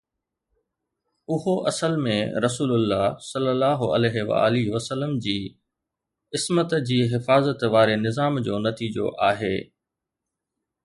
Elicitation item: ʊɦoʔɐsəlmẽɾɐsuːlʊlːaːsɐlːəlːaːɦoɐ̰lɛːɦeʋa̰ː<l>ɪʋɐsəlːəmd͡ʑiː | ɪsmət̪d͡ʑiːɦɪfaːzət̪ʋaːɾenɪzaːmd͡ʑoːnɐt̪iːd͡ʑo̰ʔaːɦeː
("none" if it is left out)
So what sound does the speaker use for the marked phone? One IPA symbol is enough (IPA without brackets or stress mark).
l